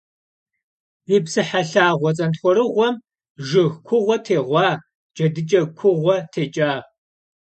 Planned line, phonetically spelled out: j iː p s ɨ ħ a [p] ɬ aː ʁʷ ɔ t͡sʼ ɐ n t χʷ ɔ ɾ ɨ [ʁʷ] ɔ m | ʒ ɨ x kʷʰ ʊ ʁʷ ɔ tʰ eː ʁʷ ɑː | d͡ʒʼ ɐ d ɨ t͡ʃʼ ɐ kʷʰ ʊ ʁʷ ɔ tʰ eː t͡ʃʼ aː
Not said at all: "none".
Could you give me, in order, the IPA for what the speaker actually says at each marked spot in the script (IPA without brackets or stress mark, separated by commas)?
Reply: none, ʁʷ